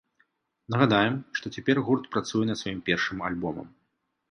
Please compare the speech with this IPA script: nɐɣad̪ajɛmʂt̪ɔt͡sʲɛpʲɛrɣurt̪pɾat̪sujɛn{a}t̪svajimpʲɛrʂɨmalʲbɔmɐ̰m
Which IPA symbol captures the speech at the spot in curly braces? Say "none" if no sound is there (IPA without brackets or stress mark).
ɐ